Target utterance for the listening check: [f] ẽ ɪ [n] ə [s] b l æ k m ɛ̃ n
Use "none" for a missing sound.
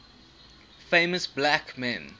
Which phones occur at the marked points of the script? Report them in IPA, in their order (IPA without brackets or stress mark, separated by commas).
f, m, s